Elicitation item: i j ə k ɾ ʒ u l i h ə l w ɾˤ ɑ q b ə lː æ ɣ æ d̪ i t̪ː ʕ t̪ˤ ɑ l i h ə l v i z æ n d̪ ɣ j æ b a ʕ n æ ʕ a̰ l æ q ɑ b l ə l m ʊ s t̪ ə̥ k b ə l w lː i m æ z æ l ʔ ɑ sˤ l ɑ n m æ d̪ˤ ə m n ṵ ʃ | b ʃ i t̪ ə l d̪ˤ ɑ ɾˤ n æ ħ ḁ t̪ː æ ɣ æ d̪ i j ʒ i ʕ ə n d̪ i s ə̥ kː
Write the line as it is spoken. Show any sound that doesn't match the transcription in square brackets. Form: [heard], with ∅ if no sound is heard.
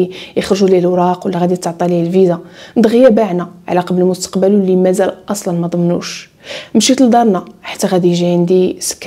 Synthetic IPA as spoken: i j ə [x] ɾ ʒ u l i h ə l w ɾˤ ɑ q [w] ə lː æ ɣ æ d̪ i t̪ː ʕ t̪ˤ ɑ l i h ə l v i z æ n d̪ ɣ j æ b a ʕ n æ ʕ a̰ l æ q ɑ b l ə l m ʊ s t̪ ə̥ [q] b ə l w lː i m æ z æ l ʔ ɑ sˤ l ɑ n m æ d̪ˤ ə m n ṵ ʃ | [m] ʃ i t̪ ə l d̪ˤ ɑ ɾˤ n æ ħ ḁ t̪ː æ ɣ æ d̪ i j ʒ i ʕ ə n d̪ i s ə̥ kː